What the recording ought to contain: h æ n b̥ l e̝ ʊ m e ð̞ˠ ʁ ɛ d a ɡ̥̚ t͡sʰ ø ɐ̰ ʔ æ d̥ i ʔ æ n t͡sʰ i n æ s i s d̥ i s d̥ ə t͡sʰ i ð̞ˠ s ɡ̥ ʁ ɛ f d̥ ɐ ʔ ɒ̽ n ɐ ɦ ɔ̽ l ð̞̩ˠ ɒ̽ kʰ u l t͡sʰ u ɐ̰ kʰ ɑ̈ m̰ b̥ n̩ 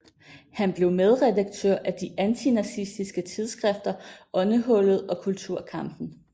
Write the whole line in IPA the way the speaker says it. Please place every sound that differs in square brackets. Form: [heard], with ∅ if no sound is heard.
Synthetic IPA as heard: h æ n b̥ l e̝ ʊ m e ð̞ˠ ʁ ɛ d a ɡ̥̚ t͡sʰ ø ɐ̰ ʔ æ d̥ i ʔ æ n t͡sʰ i n æ s i s d̥ i s [ɡ̥] ə t͡sʰ i ð̞ˠ s ɡ̥ ʁ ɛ f d̥ ɐ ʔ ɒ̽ n [ə] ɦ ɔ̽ l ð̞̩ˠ ɒ̽ kʰ u l t͡sʰ u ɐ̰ kʰ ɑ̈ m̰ b̥ n̩